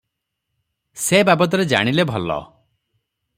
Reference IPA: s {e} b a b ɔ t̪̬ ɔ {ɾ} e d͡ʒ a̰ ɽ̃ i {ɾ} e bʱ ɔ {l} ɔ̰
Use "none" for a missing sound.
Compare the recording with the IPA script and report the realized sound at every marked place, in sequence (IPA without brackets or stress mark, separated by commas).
e, ɾ, l, l